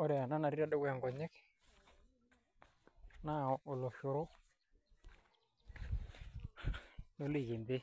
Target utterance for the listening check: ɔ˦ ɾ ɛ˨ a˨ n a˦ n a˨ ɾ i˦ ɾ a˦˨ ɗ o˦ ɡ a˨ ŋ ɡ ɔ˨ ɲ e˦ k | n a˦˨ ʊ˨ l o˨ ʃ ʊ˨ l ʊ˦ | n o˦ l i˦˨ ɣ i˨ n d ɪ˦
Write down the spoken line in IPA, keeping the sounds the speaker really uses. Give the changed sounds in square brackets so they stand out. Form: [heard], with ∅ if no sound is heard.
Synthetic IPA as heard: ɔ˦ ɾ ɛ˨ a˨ n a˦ n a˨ ɾ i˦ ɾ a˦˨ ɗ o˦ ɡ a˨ ŋ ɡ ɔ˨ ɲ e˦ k | n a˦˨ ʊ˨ l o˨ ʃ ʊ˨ [ɾ] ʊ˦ | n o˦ l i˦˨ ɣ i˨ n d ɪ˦

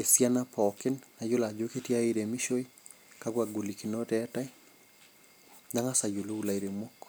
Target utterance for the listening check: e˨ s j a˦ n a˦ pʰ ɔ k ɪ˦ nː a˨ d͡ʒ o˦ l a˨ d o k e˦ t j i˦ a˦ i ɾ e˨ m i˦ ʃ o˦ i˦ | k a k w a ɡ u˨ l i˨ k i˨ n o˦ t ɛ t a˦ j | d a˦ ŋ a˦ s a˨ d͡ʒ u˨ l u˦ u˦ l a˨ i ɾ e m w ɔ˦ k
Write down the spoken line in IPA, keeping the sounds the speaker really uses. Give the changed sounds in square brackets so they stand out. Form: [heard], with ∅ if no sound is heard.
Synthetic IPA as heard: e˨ s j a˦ n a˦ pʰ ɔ k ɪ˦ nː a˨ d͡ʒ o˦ l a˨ [d͡ʒ] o k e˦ t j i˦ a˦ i ɾ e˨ m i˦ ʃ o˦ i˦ | k a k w a ɡ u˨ l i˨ k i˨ n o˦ t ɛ t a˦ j | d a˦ ŋ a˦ s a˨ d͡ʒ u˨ l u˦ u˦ l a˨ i ɾ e m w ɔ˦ k

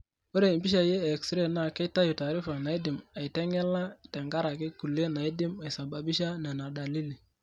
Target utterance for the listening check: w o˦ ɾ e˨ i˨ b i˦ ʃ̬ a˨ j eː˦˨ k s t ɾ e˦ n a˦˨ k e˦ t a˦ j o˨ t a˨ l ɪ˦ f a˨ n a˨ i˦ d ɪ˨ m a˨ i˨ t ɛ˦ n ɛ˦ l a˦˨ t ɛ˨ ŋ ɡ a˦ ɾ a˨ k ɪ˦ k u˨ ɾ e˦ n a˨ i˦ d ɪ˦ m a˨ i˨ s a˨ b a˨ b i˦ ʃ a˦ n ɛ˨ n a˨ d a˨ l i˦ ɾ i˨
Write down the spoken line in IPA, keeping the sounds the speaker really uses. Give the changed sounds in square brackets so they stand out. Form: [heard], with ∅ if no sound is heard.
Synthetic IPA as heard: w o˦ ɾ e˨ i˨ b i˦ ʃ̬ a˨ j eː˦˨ k s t ɾ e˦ n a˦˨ k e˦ t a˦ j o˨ t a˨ [ɾ] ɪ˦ f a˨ n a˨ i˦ d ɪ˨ m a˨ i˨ t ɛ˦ [ŋ] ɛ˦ l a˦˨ t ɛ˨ ŋ ɡ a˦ ɾ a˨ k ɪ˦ k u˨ [l] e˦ n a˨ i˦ d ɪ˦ m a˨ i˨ s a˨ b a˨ b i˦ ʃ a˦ n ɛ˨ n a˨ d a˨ l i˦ [l] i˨

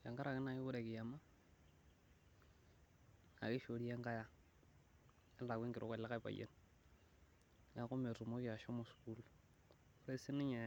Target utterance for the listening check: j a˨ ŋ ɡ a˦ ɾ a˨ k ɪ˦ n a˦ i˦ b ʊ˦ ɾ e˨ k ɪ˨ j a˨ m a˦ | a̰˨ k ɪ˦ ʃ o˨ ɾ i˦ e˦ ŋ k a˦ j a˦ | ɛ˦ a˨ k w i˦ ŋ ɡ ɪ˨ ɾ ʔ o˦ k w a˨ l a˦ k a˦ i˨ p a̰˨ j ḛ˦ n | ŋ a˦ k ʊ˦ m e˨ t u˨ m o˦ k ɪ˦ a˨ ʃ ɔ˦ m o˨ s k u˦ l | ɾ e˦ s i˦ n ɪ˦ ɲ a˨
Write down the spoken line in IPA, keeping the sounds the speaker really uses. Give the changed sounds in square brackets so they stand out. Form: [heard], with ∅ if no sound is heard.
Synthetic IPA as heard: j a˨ ŋ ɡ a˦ ɾ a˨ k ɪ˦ n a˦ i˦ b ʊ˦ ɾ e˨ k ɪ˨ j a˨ m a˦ | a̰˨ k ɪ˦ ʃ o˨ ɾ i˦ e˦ ŋ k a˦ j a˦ | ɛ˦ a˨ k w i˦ ŋ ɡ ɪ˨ ɾ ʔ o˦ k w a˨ l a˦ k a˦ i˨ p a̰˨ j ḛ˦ n | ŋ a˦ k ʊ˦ m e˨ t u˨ m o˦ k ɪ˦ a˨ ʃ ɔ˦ m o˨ s k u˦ l | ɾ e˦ s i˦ n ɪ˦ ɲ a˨

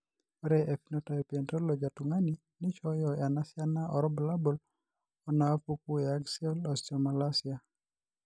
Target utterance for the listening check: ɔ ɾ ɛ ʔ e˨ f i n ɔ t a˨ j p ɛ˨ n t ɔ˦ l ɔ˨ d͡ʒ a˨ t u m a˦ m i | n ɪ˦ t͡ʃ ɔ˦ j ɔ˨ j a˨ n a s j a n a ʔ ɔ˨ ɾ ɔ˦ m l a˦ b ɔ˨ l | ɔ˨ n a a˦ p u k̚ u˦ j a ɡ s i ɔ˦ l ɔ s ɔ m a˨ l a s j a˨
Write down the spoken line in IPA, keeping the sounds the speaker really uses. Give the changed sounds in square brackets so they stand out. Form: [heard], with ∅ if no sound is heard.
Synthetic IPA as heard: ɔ ɾ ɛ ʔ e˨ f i n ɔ t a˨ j p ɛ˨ n t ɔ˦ l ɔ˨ d͡ʒ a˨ t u [ŋ] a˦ [n] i | n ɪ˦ t͡ʃ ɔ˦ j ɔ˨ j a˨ n a s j a n a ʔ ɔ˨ ɾ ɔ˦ [b] l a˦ b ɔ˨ l | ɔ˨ n a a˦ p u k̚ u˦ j a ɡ s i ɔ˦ l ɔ s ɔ m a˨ l a s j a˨

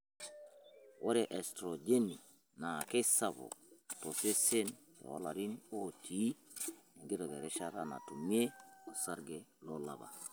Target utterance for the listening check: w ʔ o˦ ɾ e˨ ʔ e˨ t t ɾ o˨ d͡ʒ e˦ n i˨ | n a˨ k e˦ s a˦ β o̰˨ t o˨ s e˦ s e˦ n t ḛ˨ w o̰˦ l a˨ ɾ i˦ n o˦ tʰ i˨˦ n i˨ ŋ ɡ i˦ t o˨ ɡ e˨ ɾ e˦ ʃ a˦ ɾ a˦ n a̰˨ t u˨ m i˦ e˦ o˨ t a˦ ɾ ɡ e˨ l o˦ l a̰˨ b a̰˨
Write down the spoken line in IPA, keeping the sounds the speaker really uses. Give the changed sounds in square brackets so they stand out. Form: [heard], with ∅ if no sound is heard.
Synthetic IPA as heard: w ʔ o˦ ɾ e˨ ʔ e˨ [s] t ɾ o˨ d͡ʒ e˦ n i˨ | n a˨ k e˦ s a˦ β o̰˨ t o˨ s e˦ s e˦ n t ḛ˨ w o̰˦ l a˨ ɾ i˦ n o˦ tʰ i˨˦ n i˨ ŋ ɡ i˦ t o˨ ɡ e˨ ɾ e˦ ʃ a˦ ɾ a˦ n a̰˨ t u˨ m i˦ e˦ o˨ [s] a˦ ɾ ɡ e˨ l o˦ l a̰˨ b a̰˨

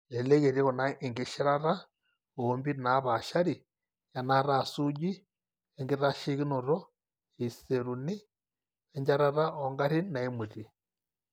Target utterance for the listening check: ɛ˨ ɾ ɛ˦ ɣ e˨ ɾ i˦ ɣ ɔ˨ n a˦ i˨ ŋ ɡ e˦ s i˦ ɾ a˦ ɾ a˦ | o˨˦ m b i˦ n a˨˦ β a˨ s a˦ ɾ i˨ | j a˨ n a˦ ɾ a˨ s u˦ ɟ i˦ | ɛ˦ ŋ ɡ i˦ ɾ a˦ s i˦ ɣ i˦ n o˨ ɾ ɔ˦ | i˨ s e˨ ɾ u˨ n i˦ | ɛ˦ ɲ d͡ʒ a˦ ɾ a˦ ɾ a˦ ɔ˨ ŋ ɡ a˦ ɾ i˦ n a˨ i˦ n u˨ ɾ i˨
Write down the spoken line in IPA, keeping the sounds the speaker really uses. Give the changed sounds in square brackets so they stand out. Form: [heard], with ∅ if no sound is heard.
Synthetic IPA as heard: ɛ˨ [l] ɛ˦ ɣ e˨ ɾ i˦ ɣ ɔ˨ n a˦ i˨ ŋ ɡ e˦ [ʃ] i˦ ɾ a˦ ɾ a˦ | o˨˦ m b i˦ n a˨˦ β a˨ [ʃ] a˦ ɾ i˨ | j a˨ n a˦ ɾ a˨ s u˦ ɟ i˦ | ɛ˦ ŋ ɡ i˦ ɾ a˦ [ʃ] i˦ ɣ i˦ n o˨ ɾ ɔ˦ | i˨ s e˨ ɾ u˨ n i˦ | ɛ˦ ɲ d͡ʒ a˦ ɾ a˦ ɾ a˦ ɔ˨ ŋ ɡ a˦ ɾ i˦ n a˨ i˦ [m] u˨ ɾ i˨

